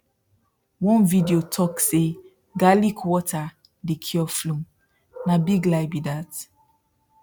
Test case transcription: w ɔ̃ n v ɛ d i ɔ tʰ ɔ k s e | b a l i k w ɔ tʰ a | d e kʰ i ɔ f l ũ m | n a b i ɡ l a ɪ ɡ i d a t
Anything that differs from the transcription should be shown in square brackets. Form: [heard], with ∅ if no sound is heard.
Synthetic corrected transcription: w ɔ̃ n v [i] d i [o] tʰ ɔ k s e | [ɡ] a l i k w ɔ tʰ a | d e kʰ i ɔ f l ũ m | n a b i ɡ l a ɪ [b] i d a t